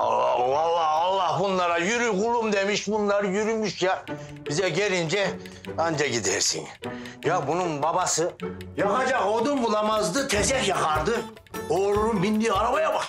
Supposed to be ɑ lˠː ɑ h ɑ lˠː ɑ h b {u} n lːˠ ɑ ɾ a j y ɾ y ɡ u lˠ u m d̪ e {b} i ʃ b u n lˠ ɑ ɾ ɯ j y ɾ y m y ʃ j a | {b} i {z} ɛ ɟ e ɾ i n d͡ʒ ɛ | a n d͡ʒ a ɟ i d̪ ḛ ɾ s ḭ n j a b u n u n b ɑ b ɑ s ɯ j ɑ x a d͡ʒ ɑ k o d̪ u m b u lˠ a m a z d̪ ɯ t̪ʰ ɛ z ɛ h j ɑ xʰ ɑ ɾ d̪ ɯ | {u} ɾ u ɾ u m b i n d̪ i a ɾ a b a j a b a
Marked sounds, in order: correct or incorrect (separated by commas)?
correct, incorrect, correct, correct, incorrect